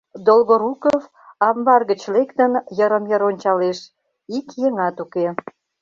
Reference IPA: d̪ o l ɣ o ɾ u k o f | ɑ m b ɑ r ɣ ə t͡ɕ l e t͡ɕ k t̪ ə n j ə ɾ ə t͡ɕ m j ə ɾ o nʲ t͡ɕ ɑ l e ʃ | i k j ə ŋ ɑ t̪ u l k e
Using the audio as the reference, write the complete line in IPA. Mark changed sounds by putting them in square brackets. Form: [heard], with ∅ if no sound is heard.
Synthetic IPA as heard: d̪ o l ɣ o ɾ u k o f | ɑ m b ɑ r ɣ ə t͡ɕ l e [∅] k t̪ ə n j ə ɾ ə [∅] m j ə ɾ o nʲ t͡ɕ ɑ l e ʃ | i k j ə ŋ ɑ t̪ u [∅] k e